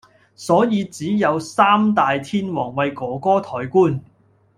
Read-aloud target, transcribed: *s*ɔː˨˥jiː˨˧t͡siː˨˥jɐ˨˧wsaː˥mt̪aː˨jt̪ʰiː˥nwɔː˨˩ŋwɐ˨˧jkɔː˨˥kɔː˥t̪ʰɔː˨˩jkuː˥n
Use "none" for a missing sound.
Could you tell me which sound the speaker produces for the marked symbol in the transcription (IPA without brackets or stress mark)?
s